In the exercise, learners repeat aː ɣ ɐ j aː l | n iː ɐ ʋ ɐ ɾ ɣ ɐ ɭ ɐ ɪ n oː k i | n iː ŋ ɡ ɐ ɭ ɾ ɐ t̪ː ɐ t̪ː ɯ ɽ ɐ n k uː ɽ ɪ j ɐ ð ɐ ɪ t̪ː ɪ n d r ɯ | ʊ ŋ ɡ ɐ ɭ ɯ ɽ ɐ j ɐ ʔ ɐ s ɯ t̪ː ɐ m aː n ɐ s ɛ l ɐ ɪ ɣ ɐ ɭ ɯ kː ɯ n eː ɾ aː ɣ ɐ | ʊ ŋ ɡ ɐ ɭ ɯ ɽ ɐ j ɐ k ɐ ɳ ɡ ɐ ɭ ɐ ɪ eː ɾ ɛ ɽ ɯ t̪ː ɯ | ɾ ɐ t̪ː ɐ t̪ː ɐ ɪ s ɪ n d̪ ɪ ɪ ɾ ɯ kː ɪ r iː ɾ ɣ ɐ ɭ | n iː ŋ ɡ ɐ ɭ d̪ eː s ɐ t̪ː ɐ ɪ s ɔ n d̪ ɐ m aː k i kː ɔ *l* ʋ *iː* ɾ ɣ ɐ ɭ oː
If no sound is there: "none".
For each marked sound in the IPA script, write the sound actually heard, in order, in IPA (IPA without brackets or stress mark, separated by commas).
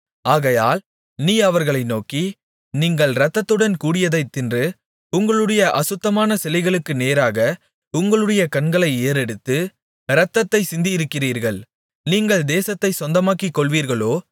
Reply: ɭ, iː